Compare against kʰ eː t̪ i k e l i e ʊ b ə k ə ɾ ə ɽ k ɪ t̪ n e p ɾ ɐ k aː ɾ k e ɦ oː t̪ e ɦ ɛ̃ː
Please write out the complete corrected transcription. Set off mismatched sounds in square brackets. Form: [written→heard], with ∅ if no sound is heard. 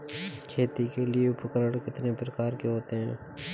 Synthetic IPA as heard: kʰ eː t̪ i k e l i e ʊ [b→p] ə k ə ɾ ə ɽ k ɪ t̪ n e p ɾ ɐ k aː ɾ k e ɦ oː t̪ e ɦ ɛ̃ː